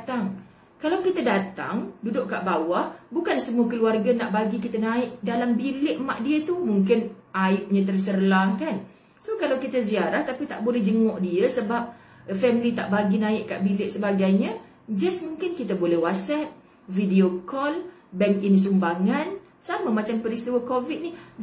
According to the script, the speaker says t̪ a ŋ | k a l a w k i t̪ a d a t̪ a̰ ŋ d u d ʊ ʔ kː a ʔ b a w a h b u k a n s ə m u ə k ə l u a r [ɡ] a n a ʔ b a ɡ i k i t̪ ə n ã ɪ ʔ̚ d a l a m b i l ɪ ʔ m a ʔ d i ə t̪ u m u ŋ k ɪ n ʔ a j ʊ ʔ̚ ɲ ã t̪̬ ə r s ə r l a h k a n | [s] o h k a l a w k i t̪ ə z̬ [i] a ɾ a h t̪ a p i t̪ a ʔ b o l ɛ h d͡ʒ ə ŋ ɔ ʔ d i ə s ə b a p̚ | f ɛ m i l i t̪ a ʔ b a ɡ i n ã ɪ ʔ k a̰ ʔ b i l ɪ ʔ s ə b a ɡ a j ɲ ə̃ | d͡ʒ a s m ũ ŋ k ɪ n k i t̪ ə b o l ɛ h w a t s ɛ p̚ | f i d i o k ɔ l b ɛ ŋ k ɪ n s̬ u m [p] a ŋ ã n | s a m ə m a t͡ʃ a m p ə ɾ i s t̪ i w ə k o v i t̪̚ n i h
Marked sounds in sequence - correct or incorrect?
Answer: correct, correct, correct, incorrect: b

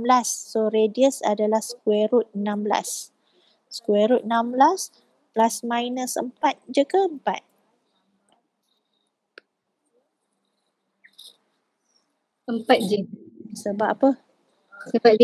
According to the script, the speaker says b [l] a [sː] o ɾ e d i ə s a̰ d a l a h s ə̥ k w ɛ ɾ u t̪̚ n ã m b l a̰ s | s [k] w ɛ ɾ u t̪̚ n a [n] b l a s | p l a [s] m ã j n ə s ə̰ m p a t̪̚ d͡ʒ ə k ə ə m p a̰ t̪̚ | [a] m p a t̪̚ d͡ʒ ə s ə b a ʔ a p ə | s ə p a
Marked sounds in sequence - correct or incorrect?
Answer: correct, correct, correct, incorrect: m, correct, incorrect: ə

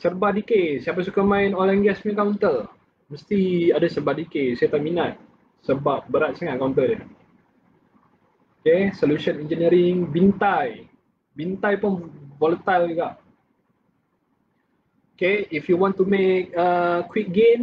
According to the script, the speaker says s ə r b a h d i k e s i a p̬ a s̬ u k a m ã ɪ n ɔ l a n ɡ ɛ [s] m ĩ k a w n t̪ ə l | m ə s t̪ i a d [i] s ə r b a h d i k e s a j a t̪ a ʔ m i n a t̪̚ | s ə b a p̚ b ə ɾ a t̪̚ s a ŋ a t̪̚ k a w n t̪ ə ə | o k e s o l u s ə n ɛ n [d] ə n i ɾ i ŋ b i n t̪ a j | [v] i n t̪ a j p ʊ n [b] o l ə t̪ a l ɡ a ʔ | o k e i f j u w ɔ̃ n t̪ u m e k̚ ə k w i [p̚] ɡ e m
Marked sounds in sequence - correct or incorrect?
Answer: correct, incorrect: a, incorrect: d͡ʒ, incorrect: b, incorrect: v, incorrect: k̚

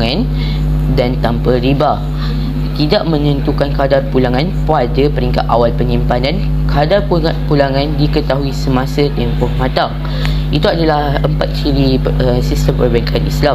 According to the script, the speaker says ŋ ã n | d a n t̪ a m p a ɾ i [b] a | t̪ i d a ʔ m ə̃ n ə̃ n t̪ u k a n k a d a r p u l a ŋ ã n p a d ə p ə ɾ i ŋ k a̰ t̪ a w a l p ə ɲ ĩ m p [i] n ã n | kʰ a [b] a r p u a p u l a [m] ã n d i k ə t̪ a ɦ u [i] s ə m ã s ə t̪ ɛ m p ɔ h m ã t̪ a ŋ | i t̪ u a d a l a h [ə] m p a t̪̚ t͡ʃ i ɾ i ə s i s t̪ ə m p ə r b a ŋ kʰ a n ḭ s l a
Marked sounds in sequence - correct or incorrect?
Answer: correct, incorrect: a, incorrect: d, incorrect: ŋ, correct, correct

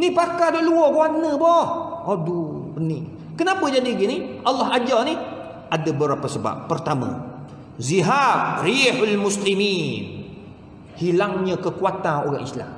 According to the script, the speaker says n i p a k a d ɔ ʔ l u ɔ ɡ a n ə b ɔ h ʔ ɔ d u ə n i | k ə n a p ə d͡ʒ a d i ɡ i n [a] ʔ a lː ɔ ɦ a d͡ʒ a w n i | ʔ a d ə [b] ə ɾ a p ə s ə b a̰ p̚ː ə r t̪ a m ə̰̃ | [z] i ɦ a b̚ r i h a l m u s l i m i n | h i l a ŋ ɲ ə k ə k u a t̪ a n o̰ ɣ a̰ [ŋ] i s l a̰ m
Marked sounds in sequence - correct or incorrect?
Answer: incorrect: i, correct, correct, correct

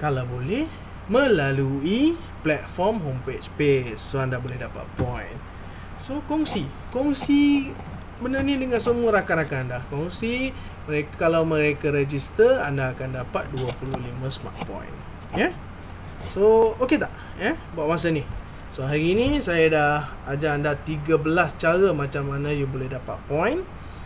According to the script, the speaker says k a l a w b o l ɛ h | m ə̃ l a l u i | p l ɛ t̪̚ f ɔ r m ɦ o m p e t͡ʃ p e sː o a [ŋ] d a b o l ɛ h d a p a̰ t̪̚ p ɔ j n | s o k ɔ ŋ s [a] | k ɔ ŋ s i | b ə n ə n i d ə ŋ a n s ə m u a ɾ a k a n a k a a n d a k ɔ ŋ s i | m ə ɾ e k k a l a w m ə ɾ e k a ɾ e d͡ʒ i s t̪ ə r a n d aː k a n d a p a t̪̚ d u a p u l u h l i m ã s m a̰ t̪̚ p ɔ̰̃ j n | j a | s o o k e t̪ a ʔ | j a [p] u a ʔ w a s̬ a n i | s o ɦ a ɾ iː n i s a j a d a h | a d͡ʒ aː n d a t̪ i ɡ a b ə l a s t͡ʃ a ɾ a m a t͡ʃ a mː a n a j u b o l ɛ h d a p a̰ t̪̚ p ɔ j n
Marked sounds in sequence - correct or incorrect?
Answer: incorrect: n, incorrect: i, incorrect: b

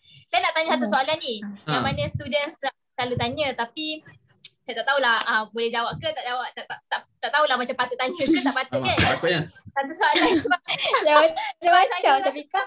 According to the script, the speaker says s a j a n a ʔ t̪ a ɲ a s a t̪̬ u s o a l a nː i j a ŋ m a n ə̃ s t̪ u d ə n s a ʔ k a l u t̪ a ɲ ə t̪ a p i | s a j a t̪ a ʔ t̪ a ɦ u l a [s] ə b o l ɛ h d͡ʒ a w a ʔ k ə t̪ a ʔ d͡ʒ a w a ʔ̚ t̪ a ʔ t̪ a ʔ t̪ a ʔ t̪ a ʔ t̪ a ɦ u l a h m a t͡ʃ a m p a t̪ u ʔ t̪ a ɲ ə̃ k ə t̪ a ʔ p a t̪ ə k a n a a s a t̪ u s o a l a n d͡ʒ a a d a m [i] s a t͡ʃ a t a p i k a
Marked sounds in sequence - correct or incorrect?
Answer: incorrect: h, incorrect: a

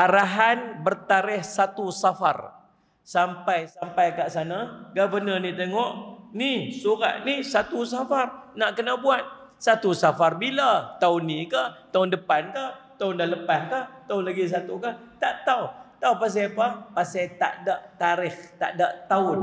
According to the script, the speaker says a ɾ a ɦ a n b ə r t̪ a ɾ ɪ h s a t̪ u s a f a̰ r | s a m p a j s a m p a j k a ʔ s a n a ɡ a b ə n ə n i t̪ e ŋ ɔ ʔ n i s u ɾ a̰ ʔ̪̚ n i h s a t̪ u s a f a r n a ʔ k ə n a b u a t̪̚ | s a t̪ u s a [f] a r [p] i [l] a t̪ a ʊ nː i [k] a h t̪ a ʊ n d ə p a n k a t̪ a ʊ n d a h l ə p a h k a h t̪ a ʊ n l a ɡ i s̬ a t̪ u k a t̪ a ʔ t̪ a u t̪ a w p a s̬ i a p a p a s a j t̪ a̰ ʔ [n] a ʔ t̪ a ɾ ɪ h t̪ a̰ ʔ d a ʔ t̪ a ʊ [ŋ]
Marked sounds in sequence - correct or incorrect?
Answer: correct, incorrect: b, correct, correct, incorrect: d, incorrect: n

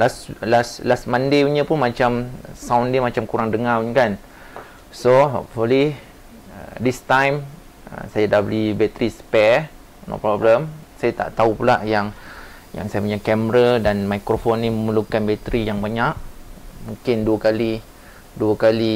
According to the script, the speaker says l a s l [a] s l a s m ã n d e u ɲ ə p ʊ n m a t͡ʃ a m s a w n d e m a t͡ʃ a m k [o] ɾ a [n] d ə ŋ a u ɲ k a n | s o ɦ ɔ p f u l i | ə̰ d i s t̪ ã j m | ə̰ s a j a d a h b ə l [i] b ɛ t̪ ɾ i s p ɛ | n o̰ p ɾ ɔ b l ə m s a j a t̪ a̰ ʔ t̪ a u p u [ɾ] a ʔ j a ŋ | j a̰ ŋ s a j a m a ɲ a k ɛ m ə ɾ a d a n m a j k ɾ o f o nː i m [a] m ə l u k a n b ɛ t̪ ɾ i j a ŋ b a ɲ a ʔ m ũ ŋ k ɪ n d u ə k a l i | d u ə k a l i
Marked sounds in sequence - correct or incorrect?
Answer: correct, incorrect: u, incorrect: ŋ, correct, incorrect: l, incorrect: ə

